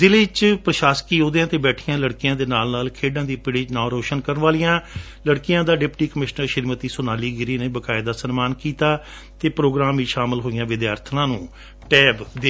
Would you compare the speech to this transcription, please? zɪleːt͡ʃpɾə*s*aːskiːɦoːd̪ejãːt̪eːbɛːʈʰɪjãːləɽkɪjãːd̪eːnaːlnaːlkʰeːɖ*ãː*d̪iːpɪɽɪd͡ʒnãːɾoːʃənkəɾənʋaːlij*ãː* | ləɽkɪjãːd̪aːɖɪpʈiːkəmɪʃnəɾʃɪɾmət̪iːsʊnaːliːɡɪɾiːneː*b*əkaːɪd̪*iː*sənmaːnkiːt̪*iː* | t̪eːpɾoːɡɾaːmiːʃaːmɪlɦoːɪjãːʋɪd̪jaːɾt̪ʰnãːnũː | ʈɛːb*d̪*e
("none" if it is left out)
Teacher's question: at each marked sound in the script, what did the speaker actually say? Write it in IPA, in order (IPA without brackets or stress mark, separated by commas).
ʃ, ãː, ãː, b, aː, aː, d̪